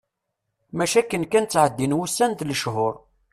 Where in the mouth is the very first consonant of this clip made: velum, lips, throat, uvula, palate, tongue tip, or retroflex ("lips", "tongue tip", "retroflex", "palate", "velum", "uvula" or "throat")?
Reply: lips